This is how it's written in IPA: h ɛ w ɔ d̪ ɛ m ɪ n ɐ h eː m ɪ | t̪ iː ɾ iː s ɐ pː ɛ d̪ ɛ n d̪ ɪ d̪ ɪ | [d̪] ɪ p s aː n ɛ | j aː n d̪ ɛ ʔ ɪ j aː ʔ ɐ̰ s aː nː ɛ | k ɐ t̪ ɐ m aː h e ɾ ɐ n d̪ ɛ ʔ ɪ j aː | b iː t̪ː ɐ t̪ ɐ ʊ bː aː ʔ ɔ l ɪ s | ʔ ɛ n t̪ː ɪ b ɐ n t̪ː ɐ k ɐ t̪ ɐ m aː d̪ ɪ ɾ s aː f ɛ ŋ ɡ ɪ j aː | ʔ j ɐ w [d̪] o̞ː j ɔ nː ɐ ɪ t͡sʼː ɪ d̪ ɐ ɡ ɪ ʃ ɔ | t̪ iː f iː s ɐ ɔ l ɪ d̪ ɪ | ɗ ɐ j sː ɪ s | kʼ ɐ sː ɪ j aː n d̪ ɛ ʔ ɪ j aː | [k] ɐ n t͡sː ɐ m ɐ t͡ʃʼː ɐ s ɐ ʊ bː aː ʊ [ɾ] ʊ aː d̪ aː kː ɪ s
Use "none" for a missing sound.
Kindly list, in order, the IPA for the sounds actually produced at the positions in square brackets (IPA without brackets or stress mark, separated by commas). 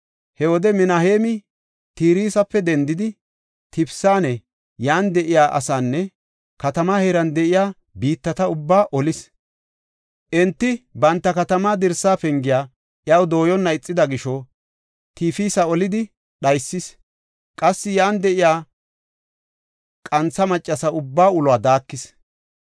t̪, d̪, kʼ, l